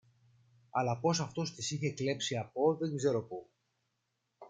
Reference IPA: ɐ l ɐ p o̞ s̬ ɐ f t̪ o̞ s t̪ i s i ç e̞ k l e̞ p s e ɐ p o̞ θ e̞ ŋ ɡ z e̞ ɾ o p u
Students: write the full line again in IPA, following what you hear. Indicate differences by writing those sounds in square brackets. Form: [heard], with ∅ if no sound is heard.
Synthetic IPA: ɐ l ɐ p o̞ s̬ ɐ f t̪ o̞ s t̪ i s i ç e̞ k l e̞ p s [i] ɐ p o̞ [ð] e̞ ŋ ɡ z e̞ ɾ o p u